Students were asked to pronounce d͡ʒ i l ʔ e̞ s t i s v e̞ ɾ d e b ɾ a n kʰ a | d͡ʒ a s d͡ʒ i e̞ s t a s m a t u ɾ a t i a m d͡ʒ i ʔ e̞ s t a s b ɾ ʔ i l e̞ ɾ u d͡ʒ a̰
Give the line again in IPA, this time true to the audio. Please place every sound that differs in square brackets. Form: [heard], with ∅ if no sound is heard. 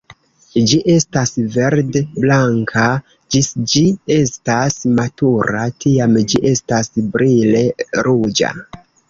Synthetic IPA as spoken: d͡ʒ i [∅] ʔ e̞ s t [a] s v e̞ ɾ d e b [l] a [ŋ] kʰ a | d͡ʒ [i] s d͡ʒ i e̞ s t a s m a t u ɾ a t i a m d͡ʒ i ʔ e̞ s t a s b ɾ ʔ i l e̞ ɾ u d͡ʒ a̰